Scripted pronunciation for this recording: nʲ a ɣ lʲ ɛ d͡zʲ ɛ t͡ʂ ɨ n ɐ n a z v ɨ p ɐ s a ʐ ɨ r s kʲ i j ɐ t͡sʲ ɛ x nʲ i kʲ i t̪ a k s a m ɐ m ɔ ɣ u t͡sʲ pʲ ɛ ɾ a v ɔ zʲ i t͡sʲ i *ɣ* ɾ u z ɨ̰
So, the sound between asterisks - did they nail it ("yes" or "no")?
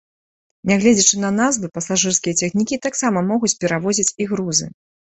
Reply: yes